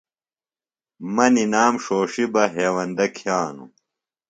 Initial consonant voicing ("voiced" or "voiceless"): voiced